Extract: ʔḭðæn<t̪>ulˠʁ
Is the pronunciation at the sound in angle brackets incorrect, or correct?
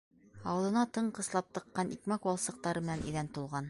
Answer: correct